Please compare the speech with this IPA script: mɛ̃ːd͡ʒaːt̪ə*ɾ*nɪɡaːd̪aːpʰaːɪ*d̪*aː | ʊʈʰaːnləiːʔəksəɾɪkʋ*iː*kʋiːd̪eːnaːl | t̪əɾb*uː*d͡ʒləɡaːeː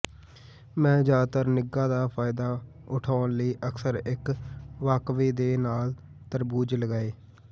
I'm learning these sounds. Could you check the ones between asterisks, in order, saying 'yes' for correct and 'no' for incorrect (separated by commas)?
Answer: yes, yes, no, yes